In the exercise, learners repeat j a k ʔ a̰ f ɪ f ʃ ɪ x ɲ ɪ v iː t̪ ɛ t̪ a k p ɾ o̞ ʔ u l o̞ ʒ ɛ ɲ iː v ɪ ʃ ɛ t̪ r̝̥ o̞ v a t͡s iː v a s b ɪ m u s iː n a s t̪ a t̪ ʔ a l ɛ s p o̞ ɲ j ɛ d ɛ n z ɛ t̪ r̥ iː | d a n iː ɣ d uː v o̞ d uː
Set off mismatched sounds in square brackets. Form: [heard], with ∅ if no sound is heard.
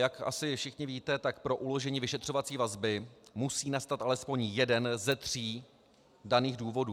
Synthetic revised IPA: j a k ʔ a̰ [s] ɪ f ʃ ɪ x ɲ ɪ v iː t̪ ɛ t̪ a k p ɾ o̞ ʔ u l o̞ ʒ ɛ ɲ iː v ɪ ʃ ɛ t̪ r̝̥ o̞ v a t͡s iː v a [z] b ɪ m u s iː n a s t̪ a t̪ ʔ a l ɛ s p o̞ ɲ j ɛ d ɛ n z ɛ t̪ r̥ iː | d a n iː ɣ d uː v o̞ d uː